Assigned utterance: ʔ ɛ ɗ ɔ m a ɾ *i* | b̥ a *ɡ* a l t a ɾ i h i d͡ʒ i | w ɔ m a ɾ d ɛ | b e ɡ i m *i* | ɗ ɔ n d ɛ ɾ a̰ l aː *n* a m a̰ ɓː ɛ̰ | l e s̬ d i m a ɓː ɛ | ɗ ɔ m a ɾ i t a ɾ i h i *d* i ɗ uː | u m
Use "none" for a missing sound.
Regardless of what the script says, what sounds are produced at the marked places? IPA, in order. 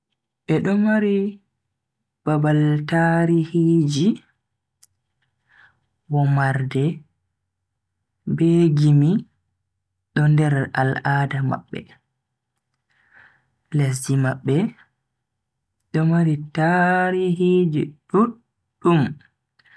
i, b, i, d, d͡ʒ

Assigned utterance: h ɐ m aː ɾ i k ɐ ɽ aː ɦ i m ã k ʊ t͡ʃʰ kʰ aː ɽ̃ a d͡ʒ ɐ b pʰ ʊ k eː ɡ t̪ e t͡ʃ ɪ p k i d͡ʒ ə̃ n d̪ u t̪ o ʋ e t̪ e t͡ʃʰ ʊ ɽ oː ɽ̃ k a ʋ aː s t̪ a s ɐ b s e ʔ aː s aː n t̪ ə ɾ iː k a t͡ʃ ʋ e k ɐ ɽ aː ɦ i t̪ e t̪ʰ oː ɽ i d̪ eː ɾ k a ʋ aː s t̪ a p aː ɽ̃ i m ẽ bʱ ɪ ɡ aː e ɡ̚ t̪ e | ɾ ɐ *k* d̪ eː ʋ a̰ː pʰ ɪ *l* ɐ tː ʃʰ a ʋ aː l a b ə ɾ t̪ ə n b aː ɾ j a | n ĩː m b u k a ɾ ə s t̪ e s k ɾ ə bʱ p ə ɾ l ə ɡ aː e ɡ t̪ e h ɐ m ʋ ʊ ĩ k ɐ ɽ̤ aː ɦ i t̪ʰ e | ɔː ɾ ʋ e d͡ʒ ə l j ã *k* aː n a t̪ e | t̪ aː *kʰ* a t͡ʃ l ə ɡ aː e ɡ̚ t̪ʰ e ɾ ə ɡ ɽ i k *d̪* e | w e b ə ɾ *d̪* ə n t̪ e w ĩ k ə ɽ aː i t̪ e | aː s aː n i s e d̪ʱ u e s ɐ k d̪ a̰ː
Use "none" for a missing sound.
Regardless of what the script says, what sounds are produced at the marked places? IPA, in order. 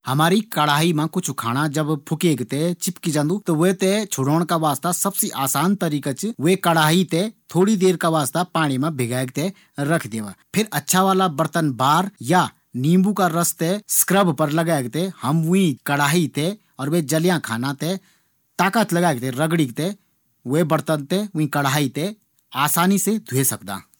kʰ, ɾ, kʰ, k, t̪, t̪

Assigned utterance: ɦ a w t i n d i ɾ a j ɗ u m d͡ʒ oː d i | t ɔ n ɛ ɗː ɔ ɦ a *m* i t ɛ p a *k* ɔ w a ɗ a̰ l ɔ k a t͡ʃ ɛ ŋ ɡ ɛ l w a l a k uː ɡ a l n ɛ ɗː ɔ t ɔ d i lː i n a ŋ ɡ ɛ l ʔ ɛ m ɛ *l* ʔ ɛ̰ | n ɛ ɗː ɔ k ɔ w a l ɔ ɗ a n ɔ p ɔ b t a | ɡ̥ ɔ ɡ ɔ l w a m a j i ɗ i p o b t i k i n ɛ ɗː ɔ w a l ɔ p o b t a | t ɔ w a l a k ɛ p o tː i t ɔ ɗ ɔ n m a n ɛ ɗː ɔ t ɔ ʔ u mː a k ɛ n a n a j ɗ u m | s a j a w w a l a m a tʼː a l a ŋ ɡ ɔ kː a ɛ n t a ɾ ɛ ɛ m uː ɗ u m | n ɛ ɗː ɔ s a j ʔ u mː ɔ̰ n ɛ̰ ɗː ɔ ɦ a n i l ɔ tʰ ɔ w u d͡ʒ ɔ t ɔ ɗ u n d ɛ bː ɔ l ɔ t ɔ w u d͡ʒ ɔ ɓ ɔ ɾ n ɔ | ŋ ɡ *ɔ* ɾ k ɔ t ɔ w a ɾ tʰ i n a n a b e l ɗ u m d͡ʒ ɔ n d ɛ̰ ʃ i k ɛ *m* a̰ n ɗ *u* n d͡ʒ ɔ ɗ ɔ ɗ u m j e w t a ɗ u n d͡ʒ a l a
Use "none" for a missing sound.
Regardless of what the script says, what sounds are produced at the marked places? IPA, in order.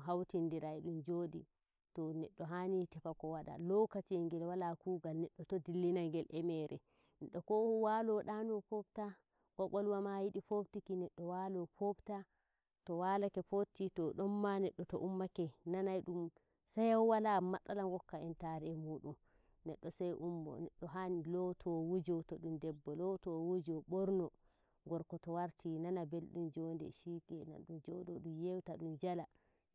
n, k, ɾ, ɔ, n, u

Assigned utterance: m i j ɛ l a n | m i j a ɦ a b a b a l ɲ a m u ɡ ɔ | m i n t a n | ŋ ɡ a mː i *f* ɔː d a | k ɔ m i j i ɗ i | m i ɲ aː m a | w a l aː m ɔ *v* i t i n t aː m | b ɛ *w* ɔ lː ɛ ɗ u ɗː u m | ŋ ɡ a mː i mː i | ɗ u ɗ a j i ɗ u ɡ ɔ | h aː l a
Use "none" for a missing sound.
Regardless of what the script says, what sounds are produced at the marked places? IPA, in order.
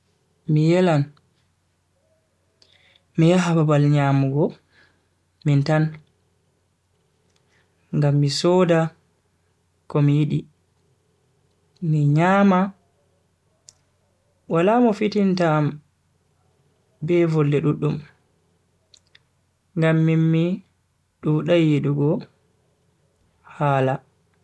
s, f, v

